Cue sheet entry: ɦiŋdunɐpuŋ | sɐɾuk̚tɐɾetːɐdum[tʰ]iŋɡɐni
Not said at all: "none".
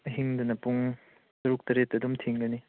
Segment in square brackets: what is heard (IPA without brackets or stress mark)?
tʰ